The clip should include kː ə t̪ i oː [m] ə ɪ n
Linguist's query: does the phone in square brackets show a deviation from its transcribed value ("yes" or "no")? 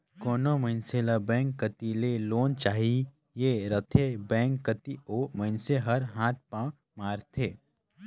no